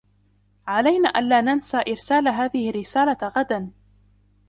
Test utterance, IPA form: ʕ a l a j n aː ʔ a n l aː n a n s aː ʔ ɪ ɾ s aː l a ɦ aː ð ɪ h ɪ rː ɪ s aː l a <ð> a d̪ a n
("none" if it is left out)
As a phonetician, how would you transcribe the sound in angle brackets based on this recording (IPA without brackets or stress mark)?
ɣ